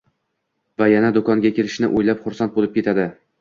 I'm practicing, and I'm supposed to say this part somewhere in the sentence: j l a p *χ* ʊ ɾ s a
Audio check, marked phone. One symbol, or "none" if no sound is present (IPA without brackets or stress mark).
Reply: χ